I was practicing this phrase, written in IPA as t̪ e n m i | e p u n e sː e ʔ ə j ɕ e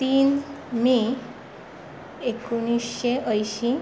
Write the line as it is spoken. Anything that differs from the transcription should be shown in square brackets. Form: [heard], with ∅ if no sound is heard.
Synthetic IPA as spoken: t̪ [i] n m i | e [k] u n [i] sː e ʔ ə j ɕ [i]